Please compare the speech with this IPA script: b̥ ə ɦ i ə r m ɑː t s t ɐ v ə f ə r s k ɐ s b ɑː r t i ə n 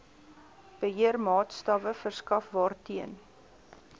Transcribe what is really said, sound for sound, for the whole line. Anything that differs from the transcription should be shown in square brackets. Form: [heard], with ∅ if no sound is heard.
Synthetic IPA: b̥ ə ɦ i ə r m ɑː t s t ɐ v ə f ə r s k ɐ [f] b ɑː r t i ə n